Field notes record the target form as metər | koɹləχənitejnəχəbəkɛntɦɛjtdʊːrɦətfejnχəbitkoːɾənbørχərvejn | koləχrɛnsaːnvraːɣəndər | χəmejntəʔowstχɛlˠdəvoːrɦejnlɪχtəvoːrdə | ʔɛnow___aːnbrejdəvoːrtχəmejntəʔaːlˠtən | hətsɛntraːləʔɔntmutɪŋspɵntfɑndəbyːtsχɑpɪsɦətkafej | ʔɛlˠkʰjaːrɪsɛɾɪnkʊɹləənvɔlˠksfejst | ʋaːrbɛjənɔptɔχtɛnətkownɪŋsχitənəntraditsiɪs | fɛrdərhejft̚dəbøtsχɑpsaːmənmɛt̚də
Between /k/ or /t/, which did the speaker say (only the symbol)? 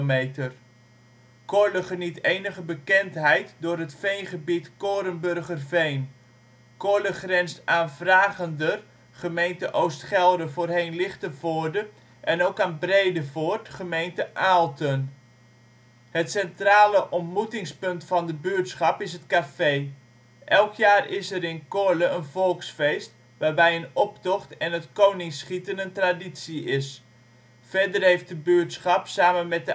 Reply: k